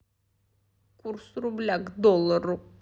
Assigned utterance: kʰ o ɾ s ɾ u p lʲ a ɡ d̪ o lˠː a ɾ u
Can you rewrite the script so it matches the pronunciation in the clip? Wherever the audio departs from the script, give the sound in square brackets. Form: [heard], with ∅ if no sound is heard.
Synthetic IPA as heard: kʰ [u] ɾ s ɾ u [b] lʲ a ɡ d̪ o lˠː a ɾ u